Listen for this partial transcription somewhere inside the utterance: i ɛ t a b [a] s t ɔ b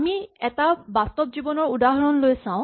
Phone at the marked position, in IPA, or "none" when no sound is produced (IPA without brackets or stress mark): a